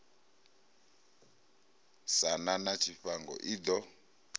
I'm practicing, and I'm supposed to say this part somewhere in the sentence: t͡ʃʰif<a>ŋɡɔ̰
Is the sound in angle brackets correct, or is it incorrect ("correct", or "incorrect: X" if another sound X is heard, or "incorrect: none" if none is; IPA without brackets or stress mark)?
correct